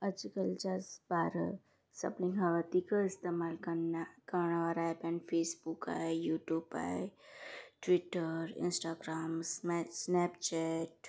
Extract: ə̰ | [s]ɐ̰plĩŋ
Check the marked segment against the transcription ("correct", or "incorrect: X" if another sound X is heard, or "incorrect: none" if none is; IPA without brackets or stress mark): correct